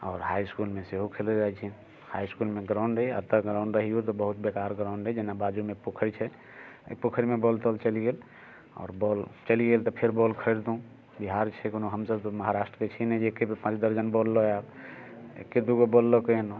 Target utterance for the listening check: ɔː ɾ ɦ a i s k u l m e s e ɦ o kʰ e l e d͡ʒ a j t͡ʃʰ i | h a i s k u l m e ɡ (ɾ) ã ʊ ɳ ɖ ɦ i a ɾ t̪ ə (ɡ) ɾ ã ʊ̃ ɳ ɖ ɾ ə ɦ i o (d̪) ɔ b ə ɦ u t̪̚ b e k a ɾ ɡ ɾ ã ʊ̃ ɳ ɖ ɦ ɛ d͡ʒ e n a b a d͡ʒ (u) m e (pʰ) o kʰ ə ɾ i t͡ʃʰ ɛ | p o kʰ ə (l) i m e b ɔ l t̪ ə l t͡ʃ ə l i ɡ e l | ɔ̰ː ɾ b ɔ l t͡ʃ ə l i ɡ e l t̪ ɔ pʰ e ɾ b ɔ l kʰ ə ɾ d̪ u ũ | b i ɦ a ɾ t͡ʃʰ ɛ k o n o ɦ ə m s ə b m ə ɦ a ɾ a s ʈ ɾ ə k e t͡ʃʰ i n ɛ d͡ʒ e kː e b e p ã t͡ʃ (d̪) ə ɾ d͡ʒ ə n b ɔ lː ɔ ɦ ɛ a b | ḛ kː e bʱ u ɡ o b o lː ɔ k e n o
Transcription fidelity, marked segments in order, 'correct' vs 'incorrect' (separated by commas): correct, correct, incorrect, correct, incorrect, incorrect, correct